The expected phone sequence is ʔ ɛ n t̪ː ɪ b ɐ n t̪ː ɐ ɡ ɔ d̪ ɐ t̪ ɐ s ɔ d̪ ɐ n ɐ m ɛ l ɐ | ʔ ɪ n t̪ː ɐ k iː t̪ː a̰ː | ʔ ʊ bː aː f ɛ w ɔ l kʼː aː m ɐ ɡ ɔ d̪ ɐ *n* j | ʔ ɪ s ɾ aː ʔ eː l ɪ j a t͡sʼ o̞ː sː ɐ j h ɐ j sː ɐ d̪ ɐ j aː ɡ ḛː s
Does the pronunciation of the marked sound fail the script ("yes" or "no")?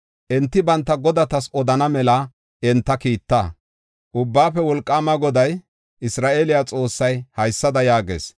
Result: yes